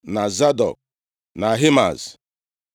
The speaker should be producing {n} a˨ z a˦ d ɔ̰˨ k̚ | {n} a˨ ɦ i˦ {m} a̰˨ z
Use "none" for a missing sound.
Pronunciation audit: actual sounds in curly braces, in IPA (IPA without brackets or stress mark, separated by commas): n, n, m